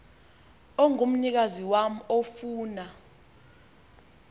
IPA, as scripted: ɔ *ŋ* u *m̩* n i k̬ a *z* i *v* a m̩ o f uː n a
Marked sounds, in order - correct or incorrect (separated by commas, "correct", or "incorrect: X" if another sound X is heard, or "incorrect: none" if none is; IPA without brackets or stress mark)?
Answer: correct, correct, correct, incorrect: w